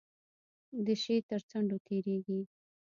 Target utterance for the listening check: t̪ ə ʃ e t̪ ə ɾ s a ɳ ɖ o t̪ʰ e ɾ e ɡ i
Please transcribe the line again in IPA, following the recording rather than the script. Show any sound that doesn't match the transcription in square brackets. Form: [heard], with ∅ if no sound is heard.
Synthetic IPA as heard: [d̪] ə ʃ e t̪ ə ɾ [t͡s] a ɳ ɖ o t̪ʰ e ɾ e ɡ i